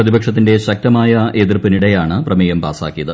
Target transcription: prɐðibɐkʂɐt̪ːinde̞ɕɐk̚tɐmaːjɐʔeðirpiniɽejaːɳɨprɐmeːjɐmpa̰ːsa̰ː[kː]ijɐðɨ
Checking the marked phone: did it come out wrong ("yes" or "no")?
no